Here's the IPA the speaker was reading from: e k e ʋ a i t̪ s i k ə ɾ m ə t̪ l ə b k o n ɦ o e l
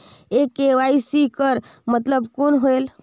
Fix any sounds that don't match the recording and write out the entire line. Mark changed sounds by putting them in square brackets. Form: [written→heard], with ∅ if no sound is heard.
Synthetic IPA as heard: e k e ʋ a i [t̪→∅] s i k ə ɾ m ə t̪ l ə b k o n ɦ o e l